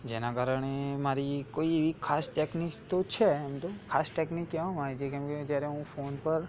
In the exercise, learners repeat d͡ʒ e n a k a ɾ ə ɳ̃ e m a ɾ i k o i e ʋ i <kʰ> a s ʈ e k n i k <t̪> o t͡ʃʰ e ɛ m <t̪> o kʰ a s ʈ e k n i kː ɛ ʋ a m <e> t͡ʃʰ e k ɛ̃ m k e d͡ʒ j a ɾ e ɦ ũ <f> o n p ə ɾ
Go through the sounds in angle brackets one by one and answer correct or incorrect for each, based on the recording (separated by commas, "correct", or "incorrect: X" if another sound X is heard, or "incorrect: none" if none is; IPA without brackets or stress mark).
correct, correct, correct, incorrect: a, correct